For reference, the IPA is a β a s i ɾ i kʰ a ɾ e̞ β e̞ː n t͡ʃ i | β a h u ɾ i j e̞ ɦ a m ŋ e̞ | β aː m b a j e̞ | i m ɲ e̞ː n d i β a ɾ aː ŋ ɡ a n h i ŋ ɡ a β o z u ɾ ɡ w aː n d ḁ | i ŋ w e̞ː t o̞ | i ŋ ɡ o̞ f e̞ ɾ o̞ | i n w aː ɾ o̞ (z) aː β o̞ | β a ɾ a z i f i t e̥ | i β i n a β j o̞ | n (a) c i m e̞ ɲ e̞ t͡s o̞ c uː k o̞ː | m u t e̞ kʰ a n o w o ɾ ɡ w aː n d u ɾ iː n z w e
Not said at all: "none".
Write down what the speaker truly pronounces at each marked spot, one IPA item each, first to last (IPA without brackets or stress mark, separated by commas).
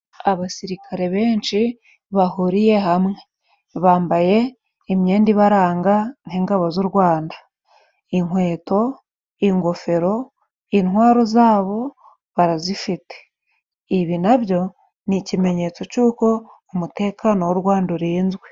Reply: z, i